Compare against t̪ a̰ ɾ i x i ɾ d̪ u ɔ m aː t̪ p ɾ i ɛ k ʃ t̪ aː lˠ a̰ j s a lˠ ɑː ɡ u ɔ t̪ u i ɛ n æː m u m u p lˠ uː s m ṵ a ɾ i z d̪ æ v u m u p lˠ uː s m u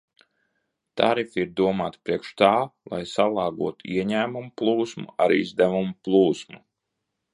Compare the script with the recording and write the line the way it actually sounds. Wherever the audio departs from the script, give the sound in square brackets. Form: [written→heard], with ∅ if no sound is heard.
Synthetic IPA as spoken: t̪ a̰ ɾ i [x→f] i ɾ d̪ u ɔ m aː t̪ p ɾ i ɛ k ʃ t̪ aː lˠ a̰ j s a lˠ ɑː ɡ u ɔ t̪ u i ɛ [n→ɲ] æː m u m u p lˠ uː s m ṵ a ɾ i z d̪ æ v u m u p lˠ uː s m u